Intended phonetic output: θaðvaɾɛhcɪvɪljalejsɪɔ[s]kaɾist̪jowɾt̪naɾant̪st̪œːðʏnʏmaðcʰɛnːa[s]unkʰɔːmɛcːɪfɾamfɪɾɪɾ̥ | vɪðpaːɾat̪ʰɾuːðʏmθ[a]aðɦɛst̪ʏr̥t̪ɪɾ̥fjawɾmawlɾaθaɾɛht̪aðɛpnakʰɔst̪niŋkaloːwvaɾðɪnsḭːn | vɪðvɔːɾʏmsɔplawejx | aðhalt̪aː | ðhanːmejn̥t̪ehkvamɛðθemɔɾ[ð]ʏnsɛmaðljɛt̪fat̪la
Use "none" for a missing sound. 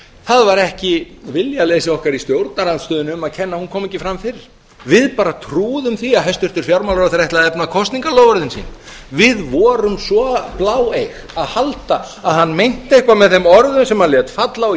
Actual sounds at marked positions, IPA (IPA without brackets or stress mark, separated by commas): h, h, i, ð